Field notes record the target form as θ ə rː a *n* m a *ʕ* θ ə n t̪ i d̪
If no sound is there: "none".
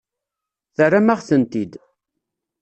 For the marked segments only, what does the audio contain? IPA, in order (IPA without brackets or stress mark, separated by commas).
none, ʁ